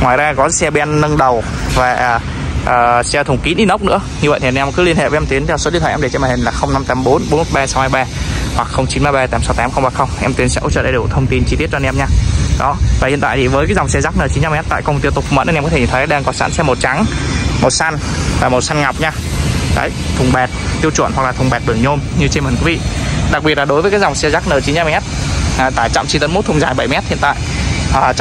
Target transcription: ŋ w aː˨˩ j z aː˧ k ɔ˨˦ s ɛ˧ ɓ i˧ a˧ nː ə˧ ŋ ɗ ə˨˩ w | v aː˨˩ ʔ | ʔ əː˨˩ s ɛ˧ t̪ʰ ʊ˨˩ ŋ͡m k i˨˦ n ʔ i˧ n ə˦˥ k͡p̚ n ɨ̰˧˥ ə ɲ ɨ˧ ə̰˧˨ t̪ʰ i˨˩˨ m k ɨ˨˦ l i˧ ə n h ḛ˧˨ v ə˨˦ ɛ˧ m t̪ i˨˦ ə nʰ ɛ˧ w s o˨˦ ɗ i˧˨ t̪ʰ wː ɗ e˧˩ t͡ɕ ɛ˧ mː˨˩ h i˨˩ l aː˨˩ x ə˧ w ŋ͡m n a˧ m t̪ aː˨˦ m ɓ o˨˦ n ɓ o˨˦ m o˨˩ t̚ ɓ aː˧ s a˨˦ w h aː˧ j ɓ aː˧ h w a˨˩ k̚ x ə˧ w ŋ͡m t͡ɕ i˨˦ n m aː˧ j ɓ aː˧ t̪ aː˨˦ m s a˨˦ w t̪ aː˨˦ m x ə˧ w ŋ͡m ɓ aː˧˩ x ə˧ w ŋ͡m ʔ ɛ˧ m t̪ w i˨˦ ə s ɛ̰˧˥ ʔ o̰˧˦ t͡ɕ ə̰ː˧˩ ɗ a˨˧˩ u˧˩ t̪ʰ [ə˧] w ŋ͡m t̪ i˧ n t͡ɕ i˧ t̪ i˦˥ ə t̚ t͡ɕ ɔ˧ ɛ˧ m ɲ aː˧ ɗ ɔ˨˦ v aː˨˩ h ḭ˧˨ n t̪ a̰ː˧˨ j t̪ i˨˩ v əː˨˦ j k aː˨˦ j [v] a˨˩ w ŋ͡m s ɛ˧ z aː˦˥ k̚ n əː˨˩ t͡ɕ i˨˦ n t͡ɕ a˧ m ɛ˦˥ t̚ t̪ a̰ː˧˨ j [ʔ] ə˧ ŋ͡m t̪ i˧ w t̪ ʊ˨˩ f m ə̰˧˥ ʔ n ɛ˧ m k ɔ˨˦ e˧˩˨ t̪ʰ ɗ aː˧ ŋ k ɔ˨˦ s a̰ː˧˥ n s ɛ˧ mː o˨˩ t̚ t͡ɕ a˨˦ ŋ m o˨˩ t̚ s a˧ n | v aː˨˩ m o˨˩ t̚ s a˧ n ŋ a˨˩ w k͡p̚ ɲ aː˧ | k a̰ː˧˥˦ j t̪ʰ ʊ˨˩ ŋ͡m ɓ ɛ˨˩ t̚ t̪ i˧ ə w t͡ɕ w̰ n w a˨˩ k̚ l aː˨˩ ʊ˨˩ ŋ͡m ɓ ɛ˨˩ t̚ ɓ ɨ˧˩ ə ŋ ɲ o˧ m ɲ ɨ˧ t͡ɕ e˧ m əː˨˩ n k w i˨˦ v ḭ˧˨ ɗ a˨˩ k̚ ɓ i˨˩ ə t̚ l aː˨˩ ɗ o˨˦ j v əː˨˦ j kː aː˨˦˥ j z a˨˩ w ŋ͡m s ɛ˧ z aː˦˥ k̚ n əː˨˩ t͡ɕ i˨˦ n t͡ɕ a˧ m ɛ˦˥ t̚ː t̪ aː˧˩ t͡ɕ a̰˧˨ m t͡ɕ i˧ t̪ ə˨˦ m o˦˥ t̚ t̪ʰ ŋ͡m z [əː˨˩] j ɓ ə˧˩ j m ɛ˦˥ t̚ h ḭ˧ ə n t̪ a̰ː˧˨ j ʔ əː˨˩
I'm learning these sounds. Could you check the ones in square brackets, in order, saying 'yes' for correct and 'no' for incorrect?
yes, no, no, no

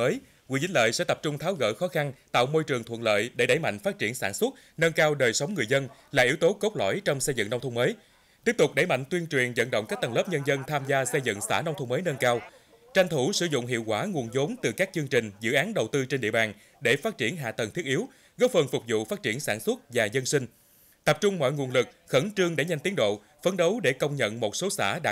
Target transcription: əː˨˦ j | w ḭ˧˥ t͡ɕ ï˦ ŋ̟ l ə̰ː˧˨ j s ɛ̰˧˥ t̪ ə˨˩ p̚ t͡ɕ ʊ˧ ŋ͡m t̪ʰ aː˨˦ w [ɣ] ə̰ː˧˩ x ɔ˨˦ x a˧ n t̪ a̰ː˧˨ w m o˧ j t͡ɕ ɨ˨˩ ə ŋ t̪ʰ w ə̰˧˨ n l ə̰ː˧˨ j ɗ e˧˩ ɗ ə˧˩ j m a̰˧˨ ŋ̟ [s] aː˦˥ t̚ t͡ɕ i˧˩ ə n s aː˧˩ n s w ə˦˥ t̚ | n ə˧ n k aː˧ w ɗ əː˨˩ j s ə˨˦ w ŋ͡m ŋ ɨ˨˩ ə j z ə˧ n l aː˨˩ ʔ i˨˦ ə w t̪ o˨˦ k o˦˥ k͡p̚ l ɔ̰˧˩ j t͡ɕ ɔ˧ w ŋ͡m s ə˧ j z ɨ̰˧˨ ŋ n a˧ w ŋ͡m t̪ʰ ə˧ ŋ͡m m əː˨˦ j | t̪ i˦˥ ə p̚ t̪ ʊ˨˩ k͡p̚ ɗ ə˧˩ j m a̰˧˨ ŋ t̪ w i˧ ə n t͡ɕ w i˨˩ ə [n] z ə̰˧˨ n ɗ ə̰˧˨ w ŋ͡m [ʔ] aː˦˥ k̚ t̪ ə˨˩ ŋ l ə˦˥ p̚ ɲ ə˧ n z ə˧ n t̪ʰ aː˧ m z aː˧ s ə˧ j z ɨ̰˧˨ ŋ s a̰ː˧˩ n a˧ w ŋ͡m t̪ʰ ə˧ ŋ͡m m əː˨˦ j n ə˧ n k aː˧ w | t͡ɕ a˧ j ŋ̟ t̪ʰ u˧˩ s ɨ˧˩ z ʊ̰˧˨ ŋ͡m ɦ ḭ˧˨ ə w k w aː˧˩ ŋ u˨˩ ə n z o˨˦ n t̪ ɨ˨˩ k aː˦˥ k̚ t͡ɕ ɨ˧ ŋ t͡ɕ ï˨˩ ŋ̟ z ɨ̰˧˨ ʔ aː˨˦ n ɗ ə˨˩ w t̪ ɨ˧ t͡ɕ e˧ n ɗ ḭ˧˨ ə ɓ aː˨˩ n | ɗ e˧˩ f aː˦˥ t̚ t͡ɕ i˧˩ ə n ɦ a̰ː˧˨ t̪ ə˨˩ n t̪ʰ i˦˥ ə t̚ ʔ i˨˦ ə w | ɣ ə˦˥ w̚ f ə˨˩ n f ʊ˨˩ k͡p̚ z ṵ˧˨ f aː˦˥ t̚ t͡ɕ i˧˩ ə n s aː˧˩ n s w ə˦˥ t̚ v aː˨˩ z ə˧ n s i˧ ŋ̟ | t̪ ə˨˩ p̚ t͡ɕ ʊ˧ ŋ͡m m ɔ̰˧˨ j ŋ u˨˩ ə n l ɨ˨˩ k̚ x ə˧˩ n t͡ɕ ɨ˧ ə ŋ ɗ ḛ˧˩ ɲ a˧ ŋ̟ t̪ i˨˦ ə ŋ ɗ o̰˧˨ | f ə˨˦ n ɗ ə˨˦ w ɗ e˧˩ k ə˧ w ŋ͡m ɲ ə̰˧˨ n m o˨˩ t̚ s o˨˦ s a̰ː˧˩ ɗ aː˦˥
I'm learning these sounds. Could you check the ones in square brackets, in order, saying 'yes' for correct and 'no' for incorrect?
yes, no, yes, no

